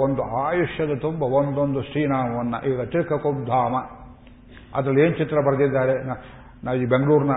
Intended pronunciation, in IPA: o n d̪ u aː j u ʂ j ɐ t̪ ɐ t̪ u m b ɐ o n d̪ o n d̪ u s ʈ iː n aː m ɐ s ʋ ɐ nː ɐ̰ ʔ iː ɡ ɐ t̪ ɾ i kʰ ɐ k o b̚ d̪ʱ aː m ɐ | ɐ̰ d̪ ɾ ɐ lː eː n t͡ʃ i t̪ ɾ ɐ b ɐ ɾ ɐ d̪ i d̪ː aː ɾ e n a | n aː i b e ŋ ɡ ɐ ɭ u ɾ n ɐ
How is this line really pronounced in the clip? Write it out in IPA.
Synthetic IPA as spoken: o n d̪ u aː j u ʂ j ɐ d̪ ɐ t̪ u m b ɐ o n d̪ o n d̪ u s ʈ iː n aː m ɐ ʋ ɐ nː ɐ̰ ʔ iː ɡ ɐ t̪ ɾ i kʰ ɐ k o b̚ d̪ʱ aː m ɐ | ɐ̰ d̪ ɾ ɐ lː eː n t͡ʃ i t̪ ɾ ɐ b ɐ ɾ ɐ d̪ i d̪ː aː ɾ e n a | n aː i b e ŋ ɡ ɐ ɭ uː ɾ n ɐ